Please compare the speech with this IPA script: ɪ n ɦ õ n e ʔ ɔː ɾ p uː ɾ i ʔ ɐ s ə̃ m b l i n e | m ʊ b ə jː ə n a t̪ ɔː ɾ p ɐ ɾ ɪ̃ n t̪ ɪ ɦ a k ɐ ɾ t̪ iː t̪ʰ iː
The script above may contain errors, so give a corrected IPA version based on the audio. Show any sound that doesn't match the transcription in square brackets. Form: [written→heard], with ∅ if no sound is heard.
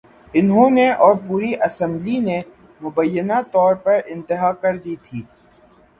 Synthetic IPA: ɪ n ɦ õ n e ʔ ɔː ɾ p uː ɾ i ʔ ɐ s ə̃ m b l i n e | m ʊ b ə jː ə n a t̪ ɔː ɾ p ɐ ɾ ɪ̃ n t̪ ɪ ɦ a k ɐ ɾ [t̪→d̪] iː t̪ʰ iː